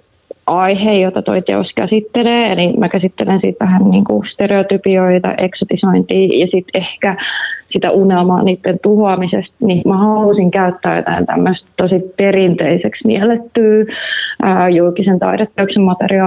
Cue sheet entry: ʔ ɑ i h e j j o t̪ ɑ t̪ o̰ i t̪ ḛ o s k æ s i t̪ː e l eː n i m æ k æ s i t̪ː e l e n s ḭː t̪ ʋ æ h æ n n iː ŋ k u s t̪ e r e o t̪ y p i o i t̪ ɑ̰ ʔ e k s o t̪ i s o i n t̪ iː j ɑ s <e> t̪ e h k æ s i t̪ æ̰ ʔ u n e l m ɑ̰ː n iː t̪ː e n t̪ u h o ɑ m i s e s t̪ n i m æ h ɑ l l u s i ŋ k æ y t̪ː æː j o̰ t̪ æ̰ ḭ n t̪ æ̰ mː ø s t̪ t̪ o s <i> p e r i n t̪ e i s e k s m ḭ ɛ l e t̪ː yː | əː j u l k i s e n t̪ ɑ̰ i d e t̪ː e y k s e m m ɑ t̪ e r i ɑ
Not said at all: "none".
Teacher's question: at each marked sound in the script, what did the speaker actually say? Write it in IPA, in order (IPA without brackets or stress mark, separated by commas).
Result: i, i